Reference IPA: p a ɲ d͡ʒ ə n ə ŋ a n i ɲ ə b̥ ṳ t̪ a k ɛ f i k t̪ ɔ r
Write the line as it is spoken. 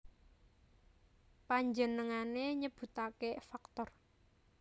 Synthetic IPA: p a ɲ d͡ʒ ə n ə ŋ a n e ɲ ə b̥ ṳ t̪ a k e f a k t̪ ɔ r